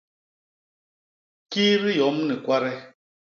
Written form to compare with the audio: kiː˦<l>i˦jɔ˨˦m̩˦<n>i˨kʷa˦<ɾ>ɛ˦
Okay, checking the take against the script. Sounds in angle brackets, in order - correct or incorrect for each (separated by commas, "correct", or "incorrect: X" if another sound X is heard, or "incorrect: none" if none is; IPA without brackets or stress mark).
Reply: incorrect: ɾ, correct, correct